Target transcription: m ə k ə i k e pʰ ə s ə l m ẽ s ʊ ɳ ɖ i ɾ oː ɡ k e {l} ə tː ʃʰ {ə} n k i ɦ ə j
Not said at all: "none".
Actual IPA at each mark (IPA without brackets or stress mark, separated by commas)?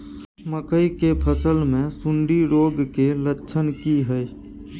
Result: l, ə